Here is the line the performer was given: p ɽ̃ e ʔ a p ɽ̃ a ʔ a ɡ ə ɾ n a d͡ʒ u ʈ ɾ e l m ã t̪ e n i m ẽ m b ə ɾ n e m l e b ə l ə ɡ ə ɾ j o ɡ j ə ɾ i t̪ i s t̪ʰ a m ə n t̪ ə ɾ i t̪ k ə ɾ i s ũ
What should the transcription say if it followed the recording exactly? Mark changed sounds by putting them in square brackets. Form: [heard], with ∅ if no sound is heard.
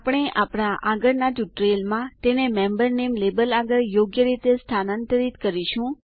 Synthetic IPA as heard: p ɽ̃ e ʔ a p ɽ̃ a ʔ a ɡ ə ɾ n a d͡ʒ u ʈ ɾ e l m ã t̪ e n [e] m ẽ m b ə ɾ n e m l e b ə l [a] ɡ ə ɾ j o ɡ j ə ɾ i t̪ [e] s t̪ʰ a [n] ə n t̪ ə ɾ i t̪ k ə ɾ i [ʃ] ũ